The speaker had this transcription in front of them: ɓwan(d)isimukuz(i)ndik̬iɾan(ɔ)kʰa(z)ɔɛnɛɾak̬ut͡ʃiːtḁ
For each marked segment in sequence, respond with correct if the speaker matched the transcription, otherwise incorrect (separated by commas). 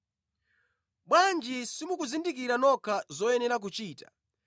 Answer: incorrect, correct, correct, correct